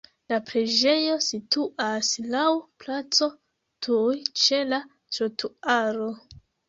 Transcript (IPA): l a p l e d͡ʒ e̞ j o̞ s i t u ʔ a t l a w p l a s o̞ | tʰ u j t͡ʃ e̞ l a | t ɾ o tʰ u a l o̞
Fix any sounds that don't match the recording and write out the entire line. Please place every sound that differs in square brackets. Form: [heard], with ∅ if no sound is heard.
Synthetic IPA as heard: l a p [ɾ] e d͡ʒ e̞ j o̞ s i t u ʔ a [s] l a w p l a [t͡s] o̞ | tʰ u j t͡ʃ e̞ l a | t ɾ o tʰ u a [ɾ] o̞